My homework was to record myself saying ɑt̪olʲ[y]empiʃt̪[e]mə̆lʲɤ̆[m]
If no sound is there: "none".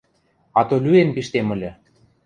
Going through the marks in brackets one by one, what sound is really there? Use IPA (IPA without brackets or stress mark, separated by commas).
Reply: y, e, none